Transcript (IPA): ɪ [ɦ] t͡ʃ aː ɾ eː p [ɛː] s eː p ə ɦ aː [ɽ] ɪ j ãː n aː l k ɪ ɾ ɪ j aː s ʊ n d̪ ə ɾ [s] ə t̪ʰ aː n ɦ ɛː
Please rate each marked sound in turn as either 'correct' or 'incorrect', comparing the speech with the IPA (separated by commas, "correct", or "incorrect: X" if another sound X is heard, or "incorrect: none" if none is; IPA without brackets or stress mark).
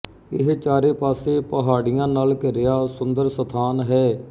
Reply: correct, incorrect: aː, correct, correct